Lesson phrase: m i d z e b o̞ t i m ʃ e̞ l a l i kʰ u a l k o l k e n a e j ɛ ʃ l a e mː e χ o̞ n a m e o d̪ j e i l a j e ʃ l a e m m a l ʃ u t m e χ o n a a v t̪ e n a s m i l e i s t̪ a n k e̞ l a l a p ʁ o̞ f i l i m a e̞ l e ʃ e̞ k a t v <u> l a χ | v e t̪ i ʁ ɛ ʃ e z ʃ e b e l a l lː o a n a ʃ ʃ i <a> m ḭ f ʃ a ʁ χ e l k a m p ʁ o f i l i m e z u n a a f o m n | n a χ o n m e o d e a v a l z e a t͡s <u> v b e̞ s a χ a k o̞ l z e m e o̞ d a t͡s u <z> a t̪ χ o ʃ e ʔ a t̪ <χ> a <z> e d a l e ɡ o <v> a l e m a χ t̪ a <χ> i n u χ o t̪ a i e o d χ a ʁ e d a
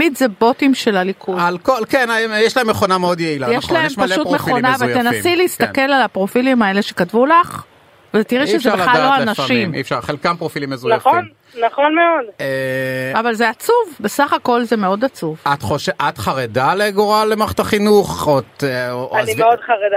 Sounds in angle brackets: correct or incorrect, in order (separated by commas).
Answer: correct, incorrect, correct, incorrect, correct, incorrect, incorrect, correct